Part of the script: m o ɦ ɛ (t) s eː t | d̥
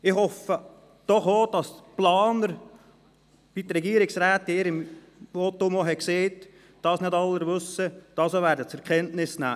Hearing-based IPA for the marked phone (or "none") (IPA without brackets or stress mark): k